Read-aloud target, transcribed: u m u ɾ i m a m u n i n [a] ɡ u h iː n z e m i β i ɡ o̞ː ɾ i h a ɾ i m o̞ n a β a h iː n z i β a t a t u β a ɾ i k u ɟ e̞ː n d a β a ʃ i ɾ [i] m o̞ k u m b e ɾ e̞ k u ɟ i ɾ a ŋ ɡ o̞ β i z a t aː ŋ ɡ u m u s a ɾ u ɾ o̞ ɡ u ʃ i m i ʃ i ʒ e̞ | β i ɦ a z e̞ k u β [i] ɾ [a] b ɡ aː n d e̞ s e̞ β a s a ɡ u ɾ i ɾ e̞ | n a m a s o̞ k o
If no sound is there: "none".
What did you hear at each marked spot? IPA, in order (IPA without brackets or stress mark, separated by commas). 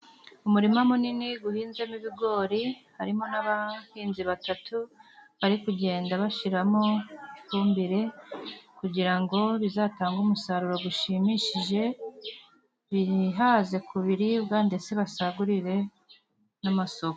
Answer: i, a, i, i